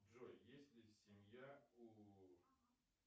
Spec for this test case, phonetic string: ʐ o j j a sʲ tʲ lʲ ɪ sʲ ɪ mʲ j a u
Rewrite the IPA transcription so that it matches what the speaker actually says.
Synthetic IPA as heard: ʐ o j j e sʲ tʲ lʲ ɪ sʲ ɪ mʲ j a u